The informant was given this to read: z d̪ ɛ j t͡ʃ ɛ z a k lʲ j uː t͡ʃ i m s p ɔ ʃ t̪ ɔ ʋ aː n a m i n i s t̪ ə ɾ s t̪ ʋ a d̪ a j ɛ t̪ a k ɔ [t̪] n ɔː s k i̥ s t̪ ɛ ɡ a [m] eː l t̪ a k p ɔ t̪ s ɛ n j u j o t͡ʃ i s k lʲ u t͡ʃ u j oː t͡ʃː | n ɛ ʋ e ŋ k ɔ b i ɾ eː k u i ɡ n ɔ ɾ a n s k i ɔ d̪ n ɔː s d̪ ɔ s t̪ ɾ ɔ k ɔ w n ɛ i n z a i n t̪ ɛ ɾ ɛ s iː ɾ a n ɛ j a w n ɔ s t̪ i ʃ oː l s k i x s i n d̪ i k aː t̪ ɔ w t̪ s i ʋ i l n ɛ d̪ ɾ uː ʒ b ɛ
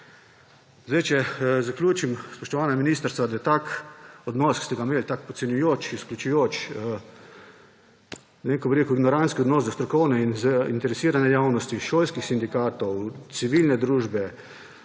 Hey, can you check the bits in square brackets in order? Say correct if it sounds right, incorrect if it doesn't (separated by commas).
incorrect, correct